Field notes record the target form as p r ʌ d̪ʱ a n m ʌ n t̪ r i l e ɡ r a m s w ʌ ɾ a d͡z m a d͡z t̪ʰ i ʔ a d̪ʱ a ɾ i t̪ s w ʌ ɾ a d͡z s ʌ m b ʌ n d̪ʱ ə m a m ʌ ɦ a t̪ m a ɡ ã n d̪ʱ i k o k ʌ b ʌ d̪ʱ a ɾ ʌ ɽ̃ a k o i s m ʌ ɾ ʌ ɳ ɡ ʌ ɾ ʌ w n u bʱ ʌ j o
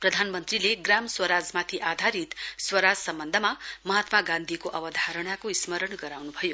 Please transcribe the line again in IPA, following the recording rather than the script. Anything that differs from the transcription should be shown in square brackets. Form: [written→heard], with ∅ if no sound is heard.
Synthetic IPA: p r ʌ d̪ʱ a n m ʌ n t̪ r i l e ɡ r a m s w ʌ ɾ a d͡z m a [d͡z→∅] t̪ʰ i ʔ a d̪ʱ a ɾ i t̪ s w ʌ ɾ a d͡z s ʌ m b ʌ n d̪ʱ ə m a m ʌ ɦ a t̪ m a ɡ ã n d̪ʱ i k o [k→ʔ] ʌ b ʌ d̪ʱ a ɾ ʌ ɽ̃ a k o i s m ʌ ɾ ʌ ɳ ɡ ʌ ɾ [ʌ→a] w n u bʱ ʌ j o